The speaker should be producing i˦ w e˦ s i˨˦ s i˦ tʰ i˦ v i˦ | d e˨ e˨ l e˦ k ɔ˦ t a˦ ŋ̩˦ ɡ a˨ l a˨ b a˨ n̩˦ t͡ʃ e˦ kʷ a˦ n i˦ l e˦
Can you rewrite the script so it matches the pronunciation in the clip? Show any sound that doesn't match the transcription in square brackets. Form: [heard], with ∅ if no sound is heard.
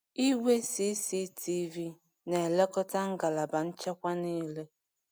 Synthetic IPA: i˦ w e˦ s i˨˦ s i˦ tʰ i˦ v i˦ | [n] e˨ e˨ l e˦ k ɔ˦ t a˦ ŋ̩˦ ɡ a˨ l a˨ b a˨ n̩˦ t͡ʃ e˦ kʷ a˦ n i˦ l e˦